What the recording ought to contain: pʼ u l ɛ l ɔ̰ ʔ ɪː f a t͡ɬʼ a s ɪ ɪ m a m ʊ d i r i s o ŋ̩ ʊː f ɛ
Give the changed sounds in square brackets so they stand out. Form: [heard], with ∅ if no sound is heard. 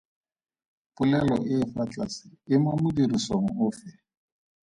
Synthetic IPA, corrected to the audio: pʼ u l ɛ l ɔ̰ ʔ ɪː f a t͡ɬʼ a s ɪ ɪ m a m ʊ d i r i s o ŋ̩ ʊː f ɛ